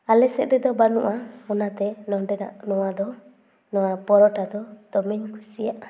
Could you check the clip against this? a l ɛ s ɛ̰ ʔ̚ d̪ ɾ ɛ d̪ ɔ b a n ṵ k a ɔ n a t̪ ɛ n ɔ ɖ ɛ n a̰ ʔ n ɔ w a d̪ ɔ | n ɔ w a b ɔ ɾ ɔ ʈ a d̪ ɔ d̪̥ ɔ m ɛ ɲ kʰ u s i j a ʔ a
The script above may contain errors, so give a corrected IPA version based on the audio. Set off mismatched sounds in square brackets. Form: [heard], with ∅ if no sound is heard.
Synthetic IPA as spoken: a l ɛ s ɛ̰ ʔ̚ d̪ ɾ ɛ d̪ ɔ b a n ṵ [ʔ] a ɔ n a t̪ ɛ n ɔ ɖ ɛ n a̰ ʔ n ɔ w a d̪ ɔ | n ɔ w a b ɔ ɾ ɔ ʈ a d̪ ɔ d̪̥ ɔ m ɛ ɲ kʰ u s i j a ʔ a